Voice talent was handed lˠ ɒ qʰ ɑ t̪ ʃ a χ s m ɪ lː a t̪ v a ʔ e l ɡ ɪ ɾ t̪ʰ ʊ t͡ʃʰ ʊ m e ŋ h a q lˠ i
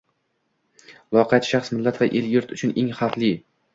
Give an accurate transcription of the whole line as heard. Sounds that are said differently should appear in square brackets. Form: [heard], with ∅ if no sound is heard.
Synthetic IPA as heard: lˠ ɒ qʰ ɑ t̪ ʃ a χ s m ɪ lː a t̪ v a ʔ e l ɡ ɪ ɾ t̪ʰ ʊ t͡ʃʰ ʊ [n] e ŋ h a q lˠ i